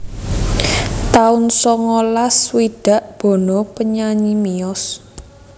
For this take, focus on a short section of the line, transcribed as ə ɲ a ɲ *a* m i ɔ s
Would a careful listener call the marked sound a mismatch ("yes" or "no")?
yes